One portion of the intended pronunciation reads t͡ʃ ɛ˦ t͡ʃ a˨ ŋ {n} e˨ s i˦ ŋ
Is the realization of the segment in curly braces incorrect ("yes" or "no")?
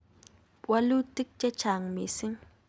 yes